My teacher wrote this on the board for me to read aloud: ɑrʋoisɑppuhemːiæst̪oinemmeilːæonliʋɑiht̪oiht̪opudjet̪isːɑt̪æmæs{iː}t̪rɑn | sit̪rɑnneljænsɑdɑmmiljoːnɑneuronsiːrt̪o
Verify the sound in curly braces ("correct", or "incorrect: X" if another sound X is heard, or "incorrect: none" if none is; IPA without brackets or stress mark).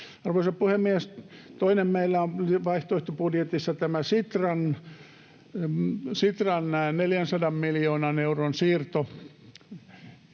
incorrect: i